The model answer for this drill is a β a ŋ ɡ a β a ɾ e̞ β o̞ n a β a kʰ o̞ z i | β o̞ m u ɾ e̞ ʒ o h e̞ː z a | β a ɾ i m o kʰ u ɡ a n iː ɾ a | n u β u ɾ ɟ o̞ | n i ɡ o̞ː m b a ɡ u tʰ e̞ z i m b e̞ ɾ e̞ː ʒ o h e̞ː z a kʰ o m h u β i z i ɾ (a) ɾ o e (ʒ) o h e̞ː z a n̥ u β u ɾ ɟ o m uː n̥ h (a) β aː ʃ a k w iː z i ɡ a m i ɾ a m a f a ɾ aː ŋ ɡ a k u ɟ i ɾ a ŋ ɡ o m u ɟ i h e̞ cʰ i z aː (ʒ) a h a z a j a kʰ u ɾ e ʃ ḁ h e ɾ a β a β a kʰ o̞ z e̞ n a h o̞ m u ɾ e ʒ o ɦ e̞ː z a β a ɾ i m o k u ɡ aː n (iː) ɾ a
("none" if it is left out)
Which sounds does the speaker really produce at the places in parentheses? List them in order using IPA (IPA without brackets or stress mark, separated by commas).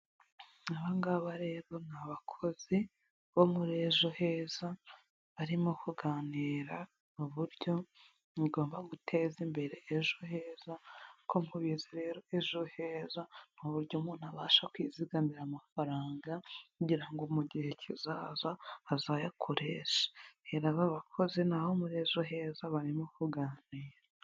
e, ʒ, a, z, iː